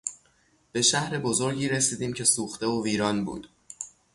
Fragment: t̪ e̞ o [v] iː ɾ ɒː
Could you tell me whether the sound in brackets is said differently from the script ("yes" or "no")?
no